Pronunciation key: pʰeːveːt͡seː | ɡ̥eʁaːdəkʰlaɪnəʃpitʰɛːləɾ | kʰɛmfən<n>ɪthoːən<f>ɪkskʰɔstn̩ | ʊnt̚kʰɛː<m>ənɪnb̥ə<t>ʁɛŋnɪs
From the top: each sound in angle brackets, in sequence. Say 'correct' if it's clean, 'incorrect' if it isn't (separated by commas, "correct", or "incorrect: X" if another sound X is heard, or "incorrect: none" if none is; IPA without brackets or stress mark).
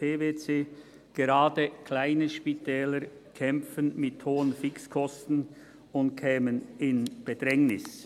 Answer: incorrect: m, correct, correct, incorrect: d